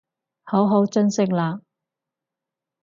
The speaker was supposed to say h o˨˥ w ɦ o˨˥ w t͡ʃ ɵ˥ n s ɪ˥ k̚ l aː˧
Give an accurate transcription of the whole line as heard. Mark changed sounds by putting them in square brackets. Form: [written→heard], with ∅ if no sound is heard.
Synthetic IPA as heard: h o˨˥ w ɦ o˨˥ w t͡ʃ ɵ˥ n s ɪ˥ k̚ l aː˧

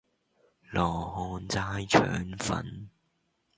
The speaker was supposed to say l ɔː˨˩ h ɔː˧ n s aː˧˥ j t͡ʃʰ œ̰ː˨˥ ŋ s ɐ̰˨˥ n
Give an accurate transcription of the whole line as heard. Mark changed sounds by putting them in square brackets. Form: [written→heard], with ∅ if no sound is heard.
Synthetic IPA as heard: l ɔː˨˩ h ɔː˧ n [s→t͡s] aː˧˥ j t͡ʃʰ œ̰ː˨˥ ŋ [s→f] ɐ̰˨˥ n

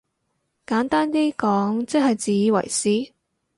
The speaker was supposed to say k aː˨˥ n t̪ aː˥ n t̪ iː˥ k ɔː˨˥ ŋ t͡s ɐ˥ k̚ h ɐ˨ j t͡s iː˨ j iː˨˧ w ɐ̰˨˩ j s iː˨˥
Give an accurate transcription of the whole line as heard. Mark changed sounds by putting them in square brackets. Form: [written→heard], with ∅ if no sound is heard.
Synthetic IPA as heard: k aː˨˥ n t̪ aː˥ n t̪ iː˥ k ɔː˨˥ ŋ t͡s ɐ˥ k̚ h ɐ˨ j t͡s iː˨ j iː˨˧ w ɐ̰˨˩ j s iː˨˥

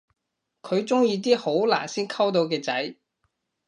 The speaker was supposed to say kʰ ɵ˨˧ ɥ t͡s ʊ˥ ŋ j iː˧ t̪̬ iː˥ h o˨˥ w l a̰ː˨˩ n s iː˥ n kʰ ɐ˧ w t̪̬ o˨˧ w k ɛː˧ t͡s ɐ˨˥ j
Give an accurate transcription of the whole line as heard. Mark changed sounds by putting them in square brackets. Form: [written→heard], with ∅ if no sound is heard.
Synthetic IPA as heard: kʰ ɵ˨˧ ɥ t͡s ʊ˥ ŋ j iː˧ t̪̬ iː˥ h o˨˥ w l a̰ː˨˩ n s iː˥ n kʰ [ɐ˧→ɐ˥] w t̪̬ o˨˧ w k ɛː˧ t͡s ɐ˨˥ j

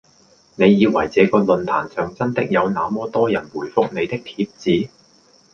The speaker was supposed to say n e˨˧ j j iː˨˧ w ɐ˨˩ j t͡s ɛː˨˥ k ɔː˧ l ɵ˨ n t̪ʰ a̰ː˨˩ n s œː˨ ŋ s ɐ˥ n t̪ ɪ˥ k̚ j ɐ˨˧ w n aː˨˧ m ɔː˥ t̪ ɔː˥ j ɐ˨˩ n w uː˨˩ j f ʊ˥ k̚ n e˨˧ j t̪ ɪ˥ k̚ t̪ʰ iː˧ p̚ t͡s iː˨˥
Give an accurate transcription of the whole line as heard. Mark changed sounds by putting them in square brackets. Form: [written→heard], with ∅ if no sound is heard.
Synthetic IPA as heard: n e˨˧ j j iː˨˧ w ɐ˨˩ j t͡s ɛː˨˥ k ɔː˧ l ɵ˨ n t̪ʰ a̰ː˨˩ n s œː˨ ŋ [s→t͡s] ɐ˥ n t̪ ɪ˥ k̚ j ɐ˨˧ w n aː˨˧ m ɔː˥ t̪ ɔː˥ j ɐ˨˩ n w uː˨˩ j f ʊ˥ k̚ n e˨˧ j t̪ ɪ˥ k̚ t̪ʰ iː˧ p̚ t͡s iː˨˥

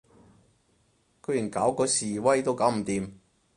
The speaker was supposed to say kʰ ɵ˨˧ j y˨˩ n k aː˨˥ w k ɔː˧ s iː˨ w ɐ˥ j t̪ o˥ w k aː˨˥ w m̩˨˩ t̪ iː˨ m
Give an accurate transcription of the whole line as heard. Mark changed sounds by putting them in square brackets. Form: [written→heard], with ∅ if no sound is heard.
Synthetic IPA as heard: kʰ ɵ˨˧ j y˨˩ n k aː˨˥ w k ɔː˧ s iː˨ w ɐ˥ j t̪ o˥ w k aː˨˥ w m̩˨˩ t̪ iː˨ m

